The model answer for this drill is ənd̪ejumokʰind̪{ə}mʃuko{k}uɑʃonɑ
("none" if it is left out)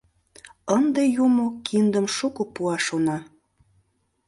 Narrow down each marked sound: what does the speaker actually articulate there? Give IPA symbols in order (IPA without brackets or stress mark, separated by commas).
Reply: ə, p